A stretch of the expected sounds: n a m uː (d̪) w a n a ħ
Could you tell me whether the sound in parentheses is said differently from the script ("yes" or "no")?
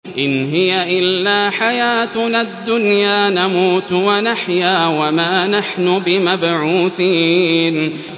yes